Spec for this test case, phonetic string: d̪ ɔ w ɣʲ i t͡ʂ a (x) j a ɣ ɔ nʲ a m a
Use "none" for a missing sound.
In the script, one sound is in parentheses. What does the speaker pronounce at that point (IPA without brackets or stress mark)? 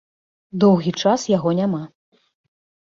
s